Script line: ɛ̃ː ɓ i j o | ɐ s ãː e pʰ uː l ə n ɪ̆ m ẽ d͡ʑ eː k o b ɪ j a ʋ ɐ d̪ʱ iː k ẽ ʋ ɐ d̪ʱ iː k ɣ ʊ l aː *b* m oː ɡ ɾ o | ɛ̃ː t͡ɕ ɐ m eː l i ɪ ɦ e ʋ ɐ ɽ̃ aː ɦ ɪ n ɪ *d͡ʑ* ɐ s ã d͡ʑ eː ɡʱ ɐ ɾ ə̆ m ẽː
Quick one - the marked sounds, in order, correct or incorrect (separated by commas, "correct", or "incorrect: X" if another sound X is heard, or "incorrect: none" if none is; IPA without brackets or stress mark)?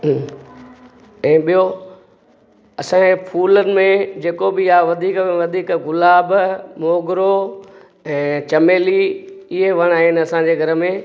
correct, incorrect: none